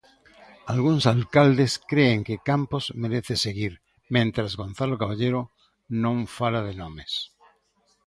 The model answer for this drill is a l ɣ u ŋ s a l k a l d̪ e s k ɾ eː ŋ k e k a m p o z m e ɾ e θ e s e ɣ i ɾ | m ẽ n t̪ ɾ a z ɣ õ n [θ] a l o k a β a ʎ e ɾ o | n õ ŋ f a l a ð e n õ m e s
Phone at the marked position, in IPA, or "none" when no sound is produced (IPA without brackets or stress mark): θ